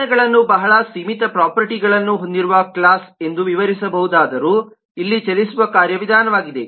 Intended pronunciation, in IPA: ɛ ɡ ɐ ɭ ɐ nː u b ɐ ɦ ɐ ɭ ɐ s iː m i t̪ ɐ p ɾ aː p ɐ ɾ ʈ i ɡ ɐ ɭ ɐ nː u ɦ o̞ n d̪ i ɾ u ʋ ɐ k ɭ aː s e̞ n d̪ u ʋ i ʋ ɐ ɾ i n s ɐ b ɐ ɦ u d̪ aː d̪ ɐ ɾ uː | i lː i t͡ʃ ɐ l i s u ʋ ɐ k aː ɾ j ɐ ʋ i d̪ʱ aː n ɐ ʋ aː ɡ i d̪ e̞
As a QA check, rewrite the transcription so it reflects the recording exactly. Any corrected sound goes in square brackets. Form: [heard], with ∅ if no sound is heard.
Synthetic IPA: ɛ ɡ ɐ ɭ ɐ nː u b ɐ ɦ ɐ ɭ ɐ s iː m i t̪ ɐ p ɾ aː p ɐ ɾ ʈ i ɡ ɐ ɭ ɐ nː u ɦ o̞ n d̪ i ɾ u ʋ ɐ k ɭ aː s e̞ n d̪ u ʋ i ʋ ɐ ɾ i [∅] s ɐ b ɐ ɦ u d̪ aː d̪ ɐ ɾ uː | i lː i t͡ʃ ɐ l i s u ʋ ɐ k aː ɾ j ɐ ʋ i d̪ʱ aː n ɐ ʋ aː ɡ i d̪ e̞